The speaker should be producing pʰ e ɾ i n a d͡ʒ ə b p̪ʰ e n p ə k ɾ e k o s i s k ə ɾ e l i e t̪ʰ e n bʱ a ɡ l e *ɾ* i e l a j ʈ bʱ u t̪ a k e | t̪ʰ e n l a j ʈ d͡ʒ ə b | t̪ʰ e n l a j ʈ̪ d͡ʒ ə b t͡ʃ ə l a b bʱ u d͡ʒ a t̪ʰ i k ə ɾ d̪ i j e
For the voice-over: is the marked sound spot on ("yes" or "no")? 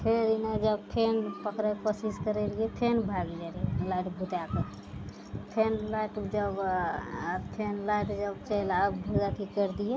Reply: no